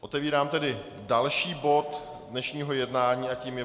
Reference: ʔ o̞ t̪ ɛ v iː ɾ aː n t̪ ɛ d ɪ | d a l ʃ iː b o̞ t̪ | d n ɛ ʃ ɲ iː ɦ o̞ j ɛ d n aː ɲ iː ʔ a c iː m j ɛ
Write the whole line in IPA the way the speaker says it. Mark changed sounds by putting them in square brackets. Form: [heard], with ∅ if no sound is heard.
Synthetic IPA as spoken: ʔ o̞ t̪ ɛ v iː ɾ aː [m] t̪ ɛ d ɪ | d a l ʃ iː b o̞ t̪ | d n ɛ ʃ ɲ iː ɦ o̞ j ɛ d n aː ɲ iː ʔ a c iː m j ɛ